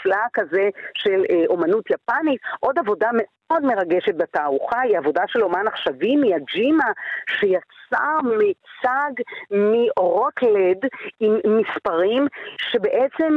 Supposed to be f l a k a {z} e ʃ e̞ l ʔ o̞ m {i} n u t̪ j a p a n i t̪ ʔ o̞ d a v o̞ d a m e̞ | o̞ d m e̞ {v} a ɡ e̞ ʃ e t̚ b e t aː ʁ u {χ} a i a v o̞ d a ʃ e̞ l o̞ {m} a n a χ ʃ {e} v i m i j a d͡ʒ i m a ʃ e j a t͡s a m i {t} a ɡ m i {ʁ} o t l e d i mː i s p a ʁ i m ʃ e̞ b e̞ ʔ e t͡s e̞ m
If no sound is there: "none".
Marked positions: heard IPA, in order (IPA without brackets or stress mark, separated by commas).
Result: z, a, ʁ, χ, m, a, t͡s, ʁ